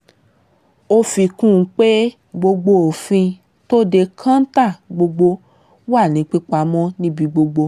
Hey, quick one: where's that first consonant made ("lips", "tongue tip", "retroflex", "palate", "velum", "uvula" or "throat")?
lips